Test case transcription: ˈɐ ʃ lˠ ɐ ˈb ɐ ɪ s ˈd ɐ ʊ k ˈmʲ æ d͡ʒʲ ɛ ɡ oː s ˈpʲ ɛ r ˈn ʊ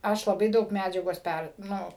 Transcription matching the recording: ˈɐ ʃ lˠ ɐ ˈb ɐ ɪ ˈd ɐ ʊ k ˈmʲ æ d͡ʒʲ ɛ ɡ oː s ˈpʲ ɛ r ˈn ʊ